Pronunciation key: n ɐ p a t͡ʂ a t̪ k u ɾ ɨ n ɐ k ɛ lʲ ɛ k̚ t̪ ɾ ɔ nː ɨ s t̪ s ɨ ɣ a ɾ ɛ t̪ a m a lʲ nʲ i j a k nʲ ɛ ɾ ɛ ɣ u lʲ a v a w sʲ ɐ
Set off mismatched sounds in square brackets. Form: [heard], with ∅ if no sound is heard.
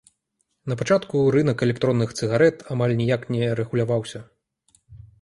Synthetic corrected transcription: n ɐ p a t͡ʂ a t̪ k u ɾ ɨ n ɐ k ɛ lʲ ɛ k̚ t̪ ɾ ɔ nː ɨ [x] t̪ s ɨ ɣ a ɾ ɛ t̪ a m a lʲ nʲ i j a k nʲ ɛ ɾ ɛ ɣ u lʲ a v a w sʲ ɐ